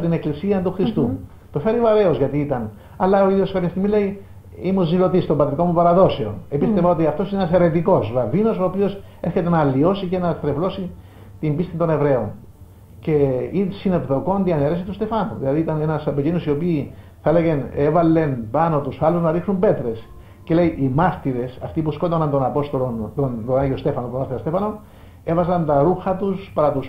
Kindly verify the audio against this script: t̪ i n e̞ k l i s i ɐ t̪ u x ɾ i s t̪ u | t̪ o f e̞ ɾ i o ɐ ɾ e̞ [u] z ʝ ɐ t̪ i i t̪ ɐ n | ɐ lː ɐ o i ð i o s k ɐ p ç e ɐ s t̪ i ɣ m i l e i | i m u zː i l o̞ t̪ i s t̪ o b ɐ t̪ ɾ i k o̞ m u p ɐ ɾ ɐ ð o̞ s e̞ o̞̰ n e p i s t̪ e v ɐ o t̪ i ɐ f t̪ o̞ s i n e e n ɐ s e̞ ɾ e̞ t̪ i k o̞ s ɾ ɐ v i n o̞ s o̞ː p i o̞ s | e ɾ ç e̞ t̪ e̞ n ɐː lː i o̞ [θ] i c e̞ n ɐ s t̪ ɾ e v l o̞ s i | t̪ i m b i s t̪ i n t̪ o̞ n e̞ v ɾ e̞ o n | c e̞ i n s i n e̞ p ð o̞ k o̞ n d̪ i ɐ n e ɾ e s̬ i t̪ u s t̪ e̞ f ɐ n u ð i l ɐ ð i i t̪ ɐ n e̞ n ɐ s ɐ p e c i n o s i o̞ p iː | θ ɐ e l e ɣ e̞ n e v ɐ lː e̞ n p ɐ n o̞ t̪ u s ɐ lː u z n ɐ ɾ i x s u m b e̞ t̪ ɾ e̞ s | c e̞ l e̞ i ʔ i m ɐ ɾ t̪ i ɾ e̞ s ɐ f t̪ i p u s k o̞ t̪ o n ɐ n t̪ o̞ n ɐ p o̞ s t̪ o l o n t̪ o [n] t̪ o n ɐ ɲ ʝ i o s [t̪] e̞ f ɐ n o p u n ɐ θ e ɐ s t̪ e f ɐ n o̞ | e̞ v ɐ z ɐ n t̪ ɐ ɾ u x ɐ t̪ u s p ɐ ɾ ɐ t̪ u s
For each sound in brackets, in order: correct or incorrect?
incorrect, incorrect, correct, correct

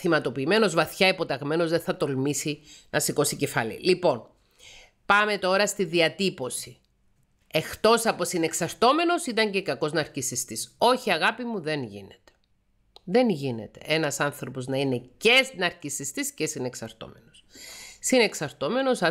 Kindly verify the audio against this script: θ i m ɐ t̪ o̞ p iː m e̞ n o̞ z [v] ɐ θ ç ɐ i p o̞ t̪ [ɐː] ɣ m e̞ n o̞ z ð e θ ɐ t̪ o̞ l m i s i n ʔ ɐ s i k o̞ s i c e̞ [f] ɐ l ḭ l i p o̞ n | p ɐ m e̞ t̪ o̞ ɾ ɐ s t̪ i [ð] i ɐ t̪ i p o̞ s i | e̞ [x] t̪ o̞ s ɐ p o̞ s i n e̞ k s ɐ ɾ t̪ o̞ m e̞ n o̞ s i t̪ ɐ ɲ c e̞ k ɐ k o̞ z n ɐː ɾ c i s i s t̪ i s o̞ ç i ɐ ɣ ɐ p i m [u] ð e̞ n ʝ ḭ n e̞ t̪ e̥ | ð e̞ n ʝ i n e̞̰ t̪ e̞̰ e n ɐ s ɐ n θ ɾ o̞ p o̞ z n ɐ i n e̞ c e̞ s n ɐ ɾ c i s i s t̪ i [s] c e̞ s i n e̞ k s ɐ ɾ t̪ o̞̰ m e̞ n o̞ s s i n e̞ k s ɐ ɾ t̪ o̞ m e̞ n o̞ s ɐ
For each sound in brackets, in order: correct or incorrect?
correct, incorrect, correct, correct, correct, correct, correct

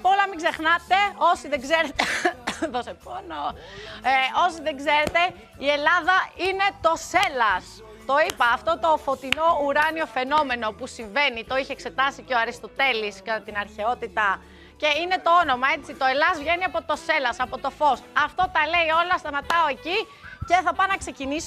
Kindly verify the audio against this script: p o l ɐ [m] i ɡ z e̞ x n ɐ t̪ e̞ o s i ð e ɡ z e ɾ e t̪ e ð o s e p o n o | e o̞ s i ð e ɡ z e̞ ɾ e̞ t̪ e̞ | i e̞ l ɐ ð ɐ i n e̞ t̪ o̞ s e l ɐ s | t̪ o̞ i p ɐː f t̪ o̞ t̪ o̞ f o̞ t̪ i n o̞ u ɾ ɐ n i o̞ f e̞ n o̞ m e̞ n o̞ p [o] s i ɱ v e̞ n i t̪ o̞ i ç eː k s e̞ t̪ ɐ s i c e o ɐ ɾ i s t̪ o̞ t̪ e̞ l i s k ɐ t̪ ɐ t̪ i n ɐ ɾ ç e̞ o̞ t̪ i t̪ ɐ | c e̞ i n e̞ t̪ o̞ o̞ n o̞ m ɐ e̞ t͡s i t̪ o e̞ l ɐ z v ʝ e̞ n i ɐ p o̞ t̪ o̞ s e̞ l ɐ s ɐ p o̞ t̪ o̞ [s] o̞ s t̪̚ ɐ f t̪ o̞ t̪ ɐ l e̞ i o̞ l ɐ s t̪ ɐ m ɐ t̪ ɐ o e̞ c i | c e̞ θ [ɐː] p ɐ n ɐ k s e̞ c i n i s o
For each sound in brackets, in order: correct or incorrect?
correct, incorrect, incorrect, incorrect

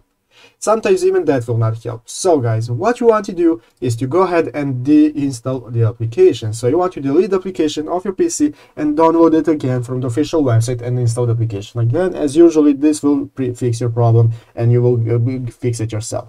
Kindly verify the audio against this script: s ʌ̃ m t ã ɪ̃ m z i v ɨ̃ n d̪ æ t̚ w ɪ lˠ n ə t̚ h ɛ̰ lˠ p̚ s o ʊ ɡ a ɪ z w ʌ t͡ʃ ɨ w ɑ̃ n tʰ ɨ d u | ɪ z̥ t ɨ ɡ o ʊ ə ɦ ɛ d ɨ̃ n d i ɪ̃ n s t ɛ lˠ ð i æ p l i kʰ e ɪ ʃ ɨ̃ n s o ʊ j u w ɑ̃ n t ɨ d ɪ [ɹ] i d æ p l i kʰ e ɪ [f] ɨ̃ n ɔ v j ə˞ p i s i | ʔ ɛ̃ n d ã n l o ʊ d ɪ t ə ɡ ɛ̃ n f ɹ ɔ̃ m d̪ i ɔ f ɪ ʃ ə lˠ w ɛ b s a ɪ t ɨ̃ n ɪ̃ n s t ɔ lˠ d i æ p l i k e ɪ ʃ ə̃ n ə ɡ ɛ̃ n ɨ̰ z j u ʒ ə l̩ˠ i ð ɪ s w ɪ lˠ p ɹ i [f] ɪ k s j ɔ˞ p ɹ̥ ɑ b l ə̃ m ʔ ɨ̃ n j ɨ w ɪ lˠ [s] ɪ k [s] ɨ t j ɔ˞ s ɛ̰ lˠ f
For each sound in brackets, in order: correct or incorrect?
incorrect, incorrect, correct, incorrect, correct

